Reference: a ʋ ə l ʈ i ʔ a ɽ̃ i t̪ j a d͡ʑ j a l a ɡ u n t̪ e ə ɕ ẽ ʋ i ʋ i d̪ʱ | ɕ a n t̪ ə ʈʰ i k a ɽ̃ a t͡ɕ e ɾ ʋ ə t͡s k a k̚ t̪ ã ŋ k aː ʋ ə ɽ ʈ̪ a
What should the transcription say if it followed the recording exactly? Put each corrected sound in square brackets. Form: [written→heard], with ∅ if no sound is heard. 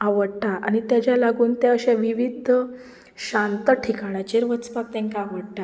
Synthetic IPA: a ʋ ə [l→ɽ] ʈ [i→a] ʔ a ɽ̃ i t̪ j a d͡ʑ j a l a ɡ [u→uː] n t̪ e ə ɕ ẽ ʋ i ʋ i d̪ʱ | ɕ a n t̪ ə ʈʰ i k a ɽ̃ a t͡ɕ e ɾ ʋ ə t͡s [k→p] a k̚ t̪ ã ŋ k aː ʋ ə ɽ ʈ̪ a